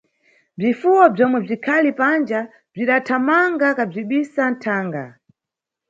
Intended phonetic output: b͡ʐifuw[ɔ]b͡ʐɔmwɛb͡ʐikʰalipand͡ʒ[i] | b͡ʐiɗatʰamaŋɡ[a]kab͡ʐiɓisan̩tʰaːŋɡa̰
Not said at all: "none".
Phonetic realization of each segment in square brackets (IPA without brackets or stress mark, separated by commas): ɔ, a, a